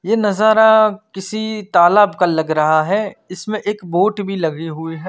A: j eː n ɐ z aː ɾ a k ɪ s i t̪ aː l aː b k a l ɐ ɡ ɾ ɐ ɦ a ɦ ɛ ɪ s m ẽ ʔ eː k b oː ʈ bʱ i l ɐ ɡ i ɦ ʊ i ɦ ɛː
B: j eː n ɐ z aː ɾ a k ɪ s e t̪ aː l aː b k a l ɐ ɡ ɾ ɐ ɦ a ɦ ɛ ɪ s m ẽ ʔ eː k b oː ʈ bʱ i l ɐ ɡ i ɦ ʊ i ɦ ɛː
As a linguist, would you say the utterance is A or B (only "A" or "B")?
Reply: A